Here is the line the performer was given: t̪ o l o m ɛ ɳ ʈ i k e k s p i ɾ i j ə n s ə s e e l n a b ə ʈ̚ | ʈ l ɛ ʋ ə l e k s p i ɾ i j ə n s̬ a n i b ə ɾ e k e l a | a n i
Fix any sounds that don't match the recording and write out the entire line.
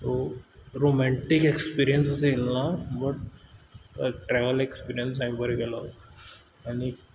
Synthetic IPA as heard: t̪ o ɾ o m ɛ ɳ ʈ i k e k s p i ɾ i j ə n s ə s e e l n a b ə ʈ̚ | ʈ ɾ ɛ ʋ ə l e k s p i ɾ i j ə n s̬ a m i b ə ɾ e k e l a | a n i